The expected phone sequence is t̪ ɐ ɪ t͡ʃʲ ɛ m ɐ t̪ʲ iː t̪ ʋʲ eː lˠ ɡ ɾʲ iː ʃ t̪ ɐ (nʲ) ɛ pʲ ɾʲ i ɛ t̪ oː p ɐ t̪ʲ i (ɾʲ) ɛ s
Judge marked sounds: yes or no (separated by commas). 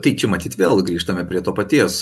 no, no